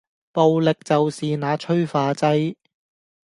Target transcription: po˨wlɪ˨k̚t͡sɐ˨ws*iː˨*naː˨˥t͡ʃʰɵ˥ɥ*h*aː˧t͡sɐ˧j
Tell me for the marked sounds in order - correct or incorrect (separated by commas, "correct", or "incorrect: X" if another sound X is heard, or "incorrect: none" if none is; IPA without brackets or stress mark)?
correct, incorrect: f